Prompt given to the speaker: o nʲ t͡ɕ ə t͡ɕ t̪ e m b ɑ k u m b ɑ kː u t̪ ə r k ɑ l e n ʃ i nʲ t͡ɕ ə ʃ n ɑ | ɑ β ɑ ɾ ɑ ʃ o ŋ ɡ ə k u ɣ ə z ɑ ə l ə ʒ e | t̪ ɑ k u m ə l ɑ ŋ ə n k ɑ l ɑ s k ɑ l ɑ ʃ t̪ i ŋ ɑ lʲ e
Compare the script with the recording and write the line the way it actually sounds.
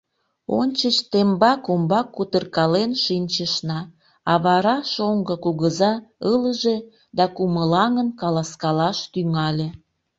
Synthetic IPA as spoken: o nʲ t͡ɕ ə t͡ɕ t̪ e m b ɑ k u m b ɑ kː u t̪ ə r k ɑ l e n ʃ i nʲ t͡ɕ ə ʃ n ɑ | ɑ β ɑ ɾ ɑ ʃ o ŋ ɡ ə k u ɣ ə z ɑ ə l ə ʒ e | d̪ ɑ k u m ə l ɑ ŋ ə n k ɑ l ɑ s k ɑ l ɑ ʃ t̪ y ŋ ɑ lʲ e

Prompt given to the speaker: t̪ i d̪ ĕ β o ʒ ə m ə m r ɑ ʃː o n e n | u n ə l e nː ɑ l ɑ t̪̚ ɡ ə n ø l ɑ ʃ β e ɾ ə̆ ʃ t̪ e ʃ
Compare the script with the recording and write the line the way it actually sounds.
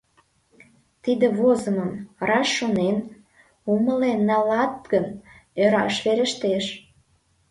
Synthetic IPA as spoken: t̪ i d̪ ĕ β o z ə m ə m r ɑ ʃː o n e n | u m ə l e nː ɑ l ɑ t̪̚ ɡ ə n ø ɾ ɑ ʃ β e ɾ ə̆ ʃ t̪ e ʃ

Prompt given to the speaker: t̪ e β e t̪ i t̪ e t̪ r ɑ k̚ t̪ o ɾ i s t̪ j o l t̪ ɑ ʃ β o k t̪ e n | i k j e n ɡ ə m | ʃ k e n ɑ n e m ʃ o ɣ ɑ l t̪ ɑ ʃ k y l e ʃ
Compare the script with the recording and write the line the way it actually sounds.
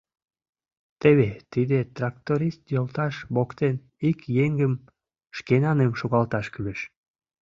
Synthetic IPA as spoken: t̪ e β e t̪ i d̪ e t̪ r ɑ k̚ t̪ o ɾ i s t̪ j o l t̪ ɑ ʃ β o k t̪ e n | i k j e ŋ ɡ ə m | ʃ k e n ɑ n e m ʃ o ɣ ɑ l t̪ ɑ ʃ k y l e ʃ

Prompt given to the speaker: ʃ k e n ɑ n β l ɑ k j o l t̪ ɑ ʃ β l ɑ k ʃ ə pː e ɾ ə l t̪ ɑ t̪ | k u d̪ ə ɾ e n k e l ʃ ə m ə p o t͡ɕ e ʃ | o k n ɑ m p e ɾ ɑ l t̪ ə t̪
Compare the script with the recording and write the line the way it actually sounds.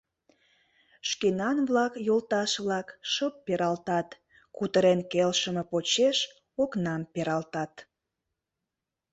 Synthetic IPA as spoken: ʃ k e n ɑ n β l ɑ k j o l t̪ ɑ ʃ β l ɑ k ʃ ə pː e ɾ ɑ l t̪ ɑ t̪ | k u t̪ ə ɾ e n k e l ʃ ə m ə p o t͡ɕ e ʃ | o k n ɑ m p e ɾ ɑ l t̪ ɑ t̪

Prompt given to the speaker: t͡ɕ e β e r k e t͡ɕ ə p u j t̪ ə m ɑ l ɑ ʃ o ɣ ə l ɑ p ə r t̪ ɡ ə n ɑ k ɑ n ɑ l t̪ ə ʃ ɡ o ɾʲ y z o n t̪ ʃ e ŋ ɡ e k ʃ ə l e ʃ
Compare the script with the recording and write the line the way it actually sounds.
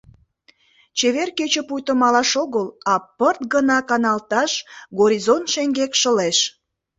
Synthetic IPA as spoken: t͡ɕ e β e r k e t͡ɕ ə p u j t̪ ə m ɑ l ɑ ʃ o ɣ ə l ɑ p ə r t̪ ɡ ə n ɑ k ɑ n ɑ l t̪ ɑ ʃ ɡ o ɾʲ i z o n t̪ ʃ e ŋ ɡ e k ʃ ə l e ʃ

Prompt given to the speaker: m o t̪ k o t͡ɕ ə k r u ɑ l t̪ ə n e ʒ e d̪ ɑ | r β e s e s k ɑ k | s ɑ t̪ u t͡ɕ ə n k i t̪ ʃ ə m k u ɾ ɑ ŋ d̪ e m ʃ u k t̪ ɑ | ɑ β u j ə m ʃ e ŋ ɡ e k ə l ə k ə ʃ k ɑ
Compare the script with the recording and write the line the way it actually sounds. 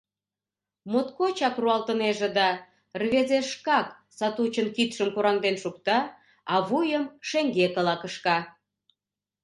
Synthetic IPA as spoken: m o t̪ k o t͡ɕ ɑ k r u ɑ l t̪ ə n e ʒ e d̪ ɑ | r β e z e ʃ k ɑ k | s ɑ t̪ u t͡ɕ ə n k i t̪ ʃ ə m k u ɾ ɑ ŋ d̪ e n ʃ u k t̪ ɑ | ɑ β u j ə m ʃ e ŋ ɡ e k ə l ɑ k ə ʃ k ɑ

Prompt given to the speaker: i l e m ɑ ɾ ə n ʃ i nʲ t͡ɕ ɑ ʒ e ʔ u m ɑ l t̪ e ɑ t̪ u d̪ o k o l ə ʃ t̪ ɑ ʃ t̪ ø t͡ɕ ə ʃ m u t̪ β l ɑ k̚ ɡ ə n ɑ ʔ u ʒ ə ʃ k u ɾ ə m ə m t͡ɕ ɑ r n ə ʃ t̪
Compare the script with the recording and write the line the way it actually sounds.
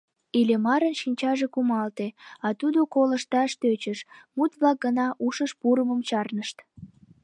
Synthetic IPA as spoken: i l e m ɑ ɾ ə n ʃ i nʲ t͡ɕ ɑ ʒ e k u m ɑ l t̪ e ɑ t̪ u d̪ o k o l ə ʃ t̪ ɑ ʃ t̪ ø t͡ɕ ə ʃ m u t̪ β l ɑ k̚ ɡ ə n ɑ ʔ u ʃ ə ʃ p u ɾ ə m ə m t͡ɕ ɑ r n ə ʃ t̪

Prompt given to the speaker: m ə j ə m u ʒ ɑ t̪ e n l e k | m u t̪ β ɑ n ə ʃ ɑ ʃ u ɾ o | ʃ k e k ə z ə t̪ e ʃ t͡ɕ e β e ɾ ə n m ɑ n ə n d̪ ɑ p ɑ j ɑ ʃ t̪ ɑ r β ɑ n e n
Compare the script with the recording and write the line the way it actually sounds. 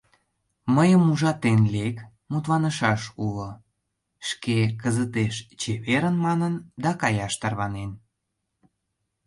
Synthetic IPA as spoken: m ə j ə m u ʒ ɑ t̪ e n l e k | m u t̪ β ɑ n ə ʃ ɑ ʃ u l o | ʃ k e k ə z ə t̪ e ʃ t͡ɕ e β e ɾ ə n m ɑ n ə n d̪ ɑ k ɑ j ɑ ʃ t̪ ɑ r β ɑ n e n

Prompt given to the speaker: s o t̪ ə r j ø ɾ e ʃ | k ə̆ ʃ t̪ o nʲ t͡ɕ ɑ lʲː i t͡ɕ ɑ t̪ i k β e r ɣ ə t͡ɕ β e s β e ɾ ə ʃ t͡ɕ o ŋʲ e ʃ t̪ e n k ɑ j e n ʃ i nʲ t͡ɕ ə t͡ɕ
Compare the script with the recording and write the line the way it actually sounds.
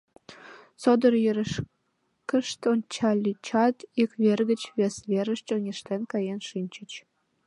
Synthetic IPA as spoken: s o d̪ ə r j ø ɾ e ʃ | k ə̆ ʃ t̪ o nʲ t͡ɕ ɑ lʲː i t͡ɕ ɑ t̪ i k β e r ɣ ə t͡ɕ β e s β e ɾ ə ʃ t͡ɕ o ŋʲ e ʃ t̪ e n k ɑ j e n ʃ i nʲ t͡ɕ ə t͡ɕ

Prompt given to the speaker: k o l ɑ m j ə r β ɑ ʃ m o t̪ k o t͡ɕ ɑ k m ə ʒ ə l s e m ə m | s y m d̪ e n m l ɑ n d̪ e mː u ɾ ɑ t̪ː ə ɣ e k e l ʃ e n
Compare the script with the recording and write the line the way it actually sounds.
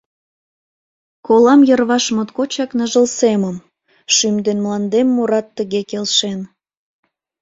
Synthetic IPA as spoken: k o l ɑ m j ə r β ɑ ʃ m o t̪ k o t͡ɕ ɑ k n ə ʒ ə l s e m ə m | ʃ y m d̪ e n m l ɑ n d̪ e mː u ɾ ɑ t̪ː ə ɣ e k e l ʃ e n

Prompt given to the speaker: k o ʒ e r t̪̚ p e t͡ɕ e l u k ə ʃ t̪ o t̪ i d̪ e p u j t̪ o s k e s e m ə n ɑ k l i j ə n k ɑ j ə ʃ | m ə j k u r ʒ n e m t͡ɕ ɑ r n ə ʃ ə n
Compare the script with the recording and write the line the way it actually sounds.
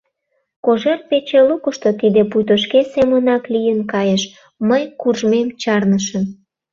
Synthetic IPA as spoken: k o ʒ e r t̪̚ p e t͡ɕ e l u k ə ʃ t̪ o t̪ i d̪ e p u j t̪ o ʃ k e s e m ə n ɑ k l i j ə n k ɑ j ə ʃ | m ə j k u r ʒ m e m t͡ɕ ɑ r n ə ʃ ə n

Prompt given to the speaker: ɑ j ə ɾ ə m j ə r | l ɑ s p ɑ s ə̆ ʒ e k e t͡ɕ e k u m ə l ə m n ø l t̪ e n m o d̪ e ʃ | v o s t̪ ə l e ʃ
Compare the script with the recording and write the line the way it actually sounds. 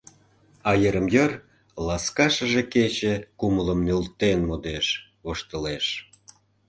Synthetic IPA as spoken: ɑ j ə ɾ ə m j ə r | l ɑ s k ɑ ʃ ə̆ ʒ e k e t͡ɕ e k u m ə l ə m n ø l t̪ e n m o d̪ e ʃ | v o ʃ t̪ ə l e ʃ

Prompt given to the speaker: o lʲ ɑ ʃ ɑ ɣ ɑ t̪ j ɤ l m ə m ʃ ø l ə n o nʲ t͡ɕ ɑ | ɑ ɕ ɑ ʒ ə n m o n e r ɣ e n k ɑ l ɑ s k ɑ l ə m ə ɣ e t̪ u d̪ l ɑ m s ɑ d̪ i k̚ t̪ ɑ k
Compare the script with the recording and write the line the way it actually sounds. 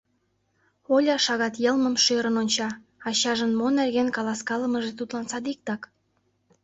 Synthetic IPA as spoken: o lʲ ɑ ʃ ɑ ɣ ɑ t̪ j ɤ l m ə m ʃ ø ɾ ə n o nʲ t͡ɕ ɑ | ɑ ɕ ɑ ʒ ə n m o n e r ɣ e n k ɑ l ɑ s k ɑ l ə m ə ʒ e t̪ u t̪ l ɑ n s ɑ d̪ i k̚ t̪ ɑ k

